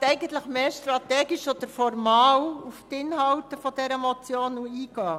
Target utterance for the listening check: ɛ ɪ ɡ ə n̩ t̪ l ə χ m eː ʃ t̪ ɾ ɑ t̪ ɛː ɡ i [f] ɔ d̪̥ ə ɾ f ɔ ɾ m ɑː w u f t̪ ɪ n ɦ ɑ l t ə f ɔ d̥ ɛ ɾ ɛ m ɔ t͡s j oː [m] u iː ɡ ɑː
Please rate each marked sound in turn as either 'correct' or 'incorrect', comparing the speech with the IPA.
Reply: incorrect: ʃ, incorrect: n

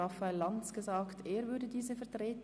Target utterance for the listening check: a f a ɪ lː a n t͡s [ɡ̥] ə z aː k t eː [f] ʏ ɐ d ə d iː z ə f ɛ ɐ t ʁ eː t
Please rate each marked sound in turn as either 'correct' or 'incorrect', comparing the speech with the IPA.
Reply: correct, incorrect: v

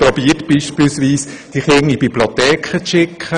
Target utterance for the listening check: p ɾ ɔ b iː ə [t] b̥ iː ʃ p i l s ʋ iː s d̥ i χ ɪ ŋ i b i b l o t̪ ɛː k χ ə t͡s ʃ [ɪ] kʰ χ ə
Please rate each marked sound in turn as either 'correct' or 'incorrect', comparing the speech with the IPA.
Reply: correct, correct

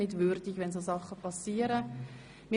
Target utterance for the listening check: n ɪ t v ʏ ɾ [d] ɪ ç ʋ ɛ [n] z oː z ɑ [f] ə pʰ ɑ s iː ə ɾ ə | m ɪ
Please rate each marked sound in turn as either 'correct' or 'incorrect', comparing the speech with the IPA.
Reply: correct, correct, incorrect: χ

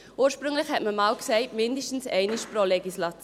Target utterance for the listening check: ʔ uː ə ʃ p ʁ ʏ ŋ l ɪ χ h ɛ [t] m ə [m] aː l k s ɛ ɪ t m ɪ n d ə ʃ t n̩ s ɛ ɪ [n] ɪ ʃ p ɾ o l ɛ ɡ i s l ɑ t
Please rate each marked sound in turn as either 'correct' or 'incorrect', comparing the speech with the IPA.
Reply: correct, correct, correct

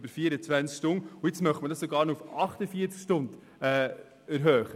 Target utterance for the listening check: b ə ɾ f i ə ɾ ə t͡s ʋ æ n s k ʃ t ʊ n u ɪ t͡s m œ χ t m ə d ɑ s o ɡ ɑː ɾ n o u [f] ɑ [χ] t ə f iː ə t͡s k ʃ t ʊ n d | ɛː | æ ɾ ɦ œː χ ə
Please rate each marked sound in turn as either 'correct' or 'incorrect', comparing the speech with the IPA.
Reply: correct, correct

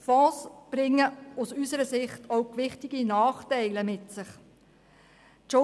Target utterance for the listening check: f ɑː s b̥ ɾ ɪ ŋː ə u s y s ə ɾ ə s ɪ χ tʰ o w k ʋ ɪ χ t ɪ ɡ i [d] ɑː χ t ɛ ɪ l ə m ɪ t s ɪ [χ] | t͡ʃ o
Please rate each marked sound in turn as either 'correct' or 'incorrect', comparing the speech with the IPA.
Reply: incorrect: n, correct

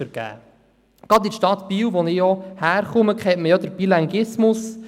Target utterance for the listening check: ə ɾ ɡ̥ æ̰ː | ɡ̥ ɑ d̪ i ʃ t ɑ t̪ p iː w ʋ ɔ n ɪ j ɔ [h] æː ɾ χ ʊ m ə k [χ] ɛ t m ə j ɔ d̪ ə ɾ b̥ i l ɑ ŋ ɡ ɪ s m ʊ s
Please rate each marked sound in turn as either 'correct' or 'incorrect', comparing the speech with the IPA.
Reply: correct, correct

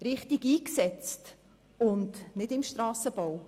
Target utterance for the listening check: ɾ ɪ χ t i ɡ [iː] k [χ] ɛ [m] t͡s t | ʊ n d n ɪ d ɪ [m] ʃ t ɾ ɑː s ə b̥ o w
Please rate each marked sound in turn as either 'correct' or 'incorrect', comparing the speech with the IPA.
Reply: correct, incorrect: s, incorrect: none, correct

